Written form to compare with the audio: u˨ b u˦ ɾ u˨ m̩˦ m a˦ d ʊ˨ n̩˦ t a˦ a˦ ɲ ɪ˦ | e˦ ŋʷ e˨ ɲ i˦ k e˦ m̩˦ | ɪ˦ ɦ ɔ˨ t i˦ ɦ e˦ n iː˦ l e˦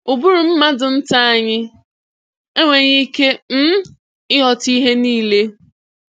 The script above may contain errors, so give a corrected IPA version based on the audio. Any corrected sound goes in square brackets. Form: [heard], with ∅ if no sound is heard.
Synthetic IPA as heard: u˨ b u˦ ɾ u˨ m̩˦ m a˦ d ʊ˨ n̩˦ t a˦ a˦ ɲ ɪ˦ | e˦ ŋʷ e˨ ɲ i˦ k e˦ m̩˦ | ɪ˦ ɦ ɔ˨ t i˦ ɦ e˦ n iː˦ l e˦